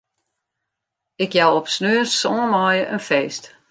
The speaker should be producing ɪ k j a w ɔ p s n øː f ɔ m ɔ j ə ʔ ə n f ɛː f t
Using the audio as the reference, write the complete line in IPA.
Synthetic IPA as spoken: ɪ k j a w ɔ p s n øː s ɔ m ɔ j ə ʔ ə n f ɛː s t